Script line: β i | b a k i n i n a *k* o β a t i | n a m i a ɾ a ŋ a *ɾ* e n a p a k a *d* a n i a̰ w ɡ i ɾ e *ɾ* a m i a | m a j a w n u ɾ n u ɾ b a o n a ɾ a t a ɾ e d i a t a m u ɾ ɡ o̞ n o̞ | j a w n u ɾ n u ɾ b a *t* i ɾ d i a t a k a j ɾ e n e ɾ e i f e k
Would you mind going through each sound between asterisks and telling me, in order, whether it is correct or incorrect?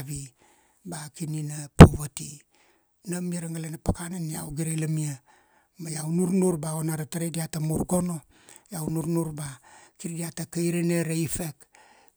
incorrect, incorrect, incorrect, incorrect, incorrect

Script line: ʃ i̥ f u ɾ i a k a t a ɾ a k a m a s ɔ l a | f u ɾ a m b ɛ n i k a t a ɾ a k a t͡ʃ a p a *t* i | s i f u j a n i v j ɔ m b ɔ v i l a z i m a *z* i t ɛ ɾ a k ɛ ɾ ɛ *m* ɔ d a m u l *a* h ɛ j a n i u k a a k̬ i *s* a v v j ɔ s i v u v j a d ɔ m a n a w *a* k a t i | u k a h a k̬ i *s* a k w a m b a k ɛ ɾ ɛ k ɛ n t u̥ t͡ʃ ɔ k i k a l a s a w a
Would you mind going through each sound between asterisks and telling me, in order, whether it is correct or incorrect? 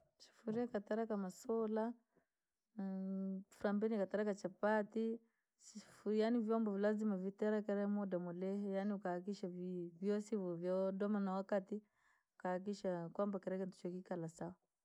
correct, incorrect, correct, incorrect, incorrect, correct, incorrect

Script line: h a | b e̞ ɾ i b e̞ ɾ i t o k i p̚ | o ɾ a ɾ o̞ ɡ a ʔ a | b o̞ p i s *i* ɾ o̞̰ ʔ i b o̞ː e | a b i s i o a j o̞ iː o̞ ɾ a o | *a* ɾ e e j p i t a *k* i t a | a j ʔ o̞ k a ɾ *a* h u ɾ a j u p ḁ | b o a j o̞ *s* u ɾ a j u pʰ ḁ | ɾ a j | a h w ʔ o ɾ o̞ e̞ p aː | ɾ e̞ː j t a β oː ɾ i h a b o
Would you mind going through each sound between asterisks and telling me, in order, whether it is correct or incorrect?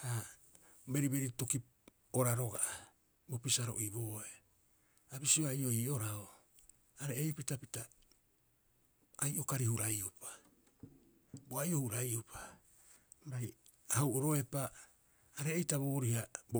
incorrect, correct, incorrect, incorrect, incorrect

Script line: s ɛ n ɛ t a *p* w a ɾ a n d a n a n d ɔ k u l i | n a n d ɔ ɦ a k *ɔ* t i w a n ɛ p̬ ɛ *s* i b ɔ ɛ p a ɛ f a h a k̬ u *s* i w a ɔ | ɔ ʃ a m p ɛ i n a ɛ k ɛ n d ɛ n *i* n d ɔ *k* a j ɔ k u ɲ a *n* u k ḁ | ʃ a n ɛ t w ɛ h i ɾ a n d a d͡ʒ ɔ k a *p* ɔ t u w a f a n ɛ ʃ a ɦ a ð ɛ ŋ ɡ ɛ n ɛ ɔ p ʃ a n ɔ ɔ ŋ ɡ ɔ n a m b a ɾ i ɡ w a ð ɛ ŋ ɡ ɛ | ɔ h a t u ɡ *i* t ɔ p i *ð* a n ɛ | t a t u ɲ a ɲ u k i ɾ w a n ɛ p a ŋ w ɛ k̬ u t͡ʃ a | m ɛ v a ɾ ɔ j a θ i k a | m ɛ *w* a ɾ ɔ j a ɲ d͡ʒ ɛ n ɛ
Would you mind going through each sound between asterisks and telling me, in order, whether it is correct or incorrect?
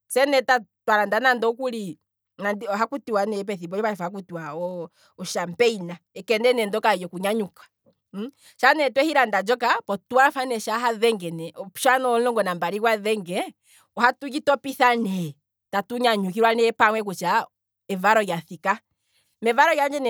incorrect, incorrect, incorrect, incorrect, incorrect, correct, incorrect, correct, correct, incorrect, incorrect

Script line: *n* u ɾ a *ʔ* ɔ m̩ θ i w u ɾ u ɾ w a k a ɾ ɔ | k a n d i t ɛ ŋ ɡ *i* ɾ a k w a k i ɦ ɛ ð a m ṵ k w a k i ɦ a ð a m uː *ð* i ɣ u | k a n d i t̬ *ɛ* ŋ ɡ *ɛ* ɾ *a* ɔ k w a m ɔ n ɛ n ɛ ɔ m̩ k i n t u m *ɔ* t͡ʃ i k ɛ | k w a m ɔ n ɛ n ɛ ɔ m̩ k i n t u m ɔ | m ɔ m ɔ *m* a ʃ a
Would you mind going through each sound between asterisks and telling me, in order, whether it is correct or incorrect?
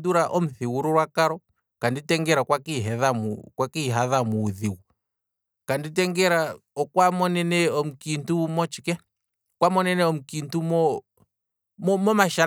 incorrect, correct, incorrect, correct, correct, correct, correct, correct, correct

